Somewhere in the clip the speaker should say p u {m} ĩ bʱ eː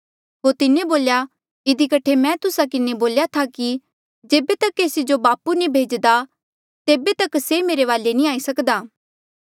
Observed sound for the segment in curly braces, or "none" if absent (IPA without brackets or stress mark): n